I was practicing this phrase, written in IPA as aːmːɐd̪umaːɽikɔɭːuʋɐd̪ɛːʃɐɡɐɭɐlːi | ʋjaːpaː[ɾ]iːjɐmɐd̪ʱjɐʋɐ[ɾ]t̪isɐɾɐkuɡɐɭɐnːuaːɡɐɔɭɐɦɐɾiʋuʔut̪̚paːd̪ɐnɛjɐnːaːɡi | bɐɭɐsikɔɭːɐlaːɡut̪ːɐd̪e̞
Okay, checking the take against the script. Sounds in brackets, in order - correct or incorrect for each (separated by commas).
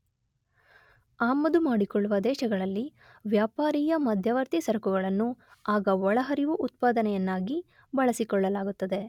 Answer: correct, correct